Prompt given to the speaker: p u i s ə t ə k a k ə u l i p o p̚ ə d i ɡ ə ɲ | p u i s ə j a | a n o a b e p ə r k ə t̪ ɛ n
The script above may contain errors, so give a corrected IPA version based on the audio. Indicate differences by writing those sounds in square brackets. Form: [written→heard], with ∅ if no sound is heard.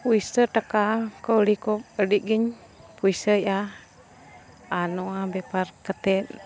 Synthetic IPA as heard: p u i s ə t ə k a k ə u l i [p→k] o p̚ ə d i ɡ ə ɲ | p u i s ə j a | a n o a b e p [ə→a] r k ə t̪ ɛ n